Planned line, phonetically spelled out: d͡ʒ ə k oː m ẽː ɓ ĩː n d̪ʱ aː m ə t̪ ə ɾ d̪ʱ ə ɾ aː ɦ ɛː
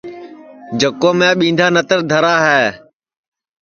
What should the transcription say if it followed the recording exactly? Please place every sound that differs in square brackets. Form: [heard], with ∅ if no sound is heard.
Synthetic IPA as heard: d͡ʒ ə k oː m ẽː ɓ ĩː n d̪ʱ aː [n] ə t̪ ə ɾ d̪ʱ ə ɾ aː ɦ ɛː

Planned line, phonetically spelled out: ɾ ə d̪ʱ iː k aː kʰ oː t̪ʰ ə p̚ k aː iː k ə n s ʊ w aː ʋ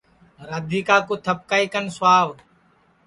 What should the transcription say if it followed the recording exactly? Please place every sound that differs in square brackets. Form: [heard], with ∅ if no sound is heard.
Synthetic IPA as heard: ɾ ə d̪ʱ iː k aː [k] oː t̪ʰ ə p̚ k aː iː k ə n s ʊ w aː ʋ

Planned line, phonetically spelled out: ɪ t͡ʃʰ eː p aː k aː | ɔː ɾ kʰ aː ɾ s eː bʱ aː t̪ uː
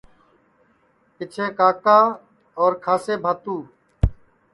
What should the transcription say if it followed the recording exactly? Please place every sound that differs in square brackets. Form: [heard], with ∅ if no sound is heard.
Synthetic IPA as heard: ɪ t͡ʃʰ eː [k] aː k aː | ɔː ɾ kʰ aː [∅] s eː bʱ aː t̪ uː

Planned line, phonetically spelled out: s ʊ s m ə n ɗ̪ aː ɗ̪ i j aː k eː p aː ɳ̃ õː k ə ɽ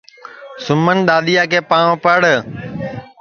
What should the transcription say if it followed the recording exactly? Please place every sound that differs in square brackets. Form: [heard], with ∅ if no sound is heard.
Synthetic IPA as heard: s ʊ [∅] m ə n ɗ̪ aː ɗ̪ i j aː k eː p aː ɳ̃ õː [p] ə ɽ

